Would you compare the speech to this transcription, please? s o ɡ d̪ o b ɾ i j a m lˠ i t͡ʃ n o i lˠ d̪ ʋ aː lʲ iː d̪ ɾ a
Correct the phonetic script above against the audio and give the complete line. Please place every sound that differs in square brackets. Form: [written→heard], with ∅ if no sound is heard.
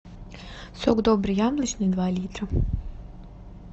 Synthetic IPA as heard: s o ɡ d̪ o b ɾ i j a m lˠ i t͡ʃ n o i [lˠ→∅] d̪ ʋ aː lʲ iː [d̪→t̪] ɾ a